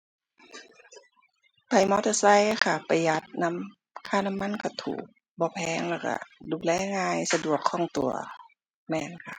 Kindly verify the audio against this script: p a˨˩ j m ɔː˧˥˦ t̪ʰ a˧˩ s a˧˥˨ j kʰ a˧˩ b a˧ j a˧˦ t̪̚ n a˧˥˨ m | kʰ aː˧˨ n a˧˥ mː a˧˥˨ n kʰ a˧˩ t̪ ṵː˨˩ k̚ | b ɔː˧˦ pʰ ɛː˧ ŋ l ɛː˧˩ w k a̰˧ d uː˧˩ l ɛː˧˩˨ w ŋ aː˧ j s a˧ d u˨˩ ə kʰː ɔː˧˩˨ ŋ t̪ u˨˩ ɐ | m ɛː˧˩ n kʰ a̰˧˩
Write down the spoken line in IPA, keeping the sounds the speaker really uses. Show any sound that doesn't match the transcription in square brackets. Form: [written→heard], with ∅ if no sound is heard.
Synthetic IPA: p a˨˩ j m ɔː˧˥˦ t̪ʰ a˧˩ s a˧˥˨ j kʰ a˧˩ [b→p] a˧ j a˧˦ t̪̚ n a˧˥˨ m | kʰ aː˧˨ n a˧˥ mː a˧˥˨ n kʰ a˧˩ [t̪→t̪ʰ] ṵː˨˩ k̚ | b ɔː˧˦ pʰ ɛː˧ ŋ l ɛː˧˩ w k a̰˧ d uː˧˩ l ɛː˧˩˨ [w→∅] ŋ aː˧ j s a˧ d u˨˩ ə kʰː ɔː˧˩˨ ŋ t̪ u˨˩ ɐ | m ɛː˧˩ n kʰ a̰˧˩